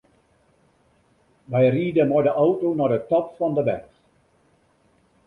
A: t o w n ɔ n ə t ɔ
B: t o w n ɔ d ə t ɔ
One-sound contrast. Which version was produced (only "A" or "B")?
B